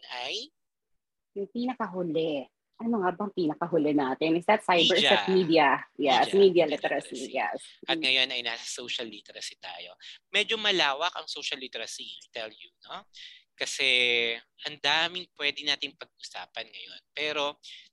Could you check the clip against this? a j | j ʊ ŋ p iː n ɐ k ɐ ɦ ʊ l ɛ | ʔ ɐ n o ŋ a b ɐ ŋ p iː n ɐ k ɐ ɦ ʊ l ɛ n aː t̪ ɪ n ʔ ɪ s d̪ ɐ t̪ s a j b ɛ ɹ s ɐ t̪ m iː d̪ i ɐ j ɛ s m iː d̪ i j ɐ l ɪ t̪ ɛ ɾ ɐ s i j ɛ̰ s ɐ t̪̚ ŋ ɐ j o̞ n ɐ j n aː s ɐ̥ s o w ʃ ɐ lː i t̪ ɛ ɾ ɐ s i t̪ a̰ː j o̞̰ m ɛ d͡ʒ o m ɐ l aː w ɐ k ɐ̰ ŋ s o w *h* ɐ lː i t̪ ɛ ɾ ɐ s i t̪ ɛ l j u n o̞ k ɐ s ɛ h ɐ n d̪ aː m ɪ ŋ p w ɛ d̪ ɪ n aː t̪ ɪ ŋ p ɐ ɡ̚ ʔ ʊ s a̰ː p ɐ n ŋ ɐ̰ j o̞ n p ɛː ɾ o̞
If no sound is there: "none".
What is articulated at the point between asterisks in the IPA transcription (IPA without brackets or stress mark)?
ʃ